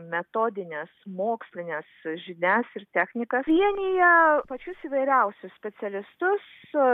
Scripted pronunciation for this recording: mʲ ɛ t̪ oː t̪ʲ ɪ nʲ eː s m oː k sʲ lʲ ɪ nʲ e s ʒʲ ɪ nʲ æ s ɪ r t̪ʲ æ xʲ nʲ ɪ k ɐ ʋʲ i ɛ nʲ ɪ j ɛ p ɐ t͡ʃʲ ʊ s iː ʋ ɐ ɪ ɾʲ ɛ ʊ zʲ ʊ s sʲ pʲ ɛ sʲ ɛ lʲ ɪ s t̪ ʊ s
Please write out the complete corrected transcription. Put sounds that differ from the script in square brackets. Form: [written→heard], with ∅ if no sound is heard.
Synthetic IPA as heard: mʲ ɛ t̪ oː [t̪ʲ→d̪ʲ] ɪ nʲ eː s m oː k sʲ lʲ ɪ nʲ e s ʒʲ ɪ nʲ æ s ɪ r t̪ʲ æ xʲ nʲ ɪ k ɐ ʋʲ i ɛ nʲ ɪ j ɛ p ɐ t͡ʃʲ ʊ s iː ʋ ɐ ɪ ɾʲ ɛ ʊ [zʲ→sʲ] ʊ s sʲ pʲ ɛ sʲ ɛ lʲ ɪ s t̪ ʊ s